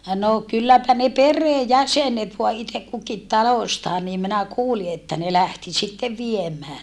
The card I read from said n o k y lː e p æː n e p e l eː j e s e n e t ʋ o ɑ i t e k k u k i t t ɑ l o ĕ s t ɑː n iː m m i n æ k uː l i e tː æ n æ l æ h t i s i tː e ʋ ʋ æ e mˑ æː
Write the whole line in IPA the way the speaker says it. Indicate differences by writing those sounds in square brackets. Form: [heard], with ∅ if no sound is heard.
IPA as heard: n o k y lː [æ] p [æ] n e p e [r] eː j [æ] s e n e t ʋ o ɑ i t e k k u k i t t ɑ l o ĕ s t ɑː n iː m m i n æ k uː l i e tː æ n [e] l æ h t i s i tː e ʋ ʋ [i] e mˑ æː